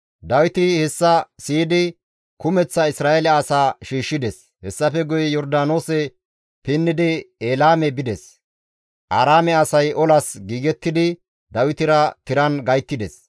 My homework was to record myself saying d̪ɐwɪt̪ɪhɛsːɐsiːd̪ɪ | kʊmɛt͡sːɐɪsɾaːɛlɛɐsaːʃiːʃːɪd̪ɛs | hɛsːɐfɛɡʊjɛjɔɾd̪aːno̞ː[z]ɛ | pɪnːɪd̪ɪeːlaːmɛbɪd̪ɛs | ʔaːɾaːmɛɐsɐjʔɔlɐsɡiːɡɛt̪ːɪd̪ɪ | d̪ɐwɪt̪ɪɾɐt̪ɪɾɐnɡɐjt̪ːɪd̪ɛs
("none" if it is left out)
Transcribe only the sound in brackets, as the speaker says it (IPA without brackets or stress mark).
s